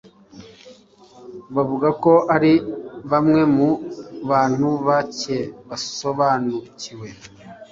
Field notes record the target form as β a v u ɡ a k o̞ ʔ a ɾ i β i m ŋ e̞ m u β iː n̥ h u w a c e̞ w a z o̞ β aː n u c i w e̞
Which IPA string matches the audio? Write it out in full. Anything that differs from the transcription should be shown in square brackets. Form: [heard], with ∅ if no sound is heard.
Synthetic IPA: β a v u ɡ a k o̞ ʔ a ɾ i β [a] m ŋ e̞ m u β [aː] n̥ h u [β] a c e̞ [β] a [s] o̞ β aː n u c i w e̞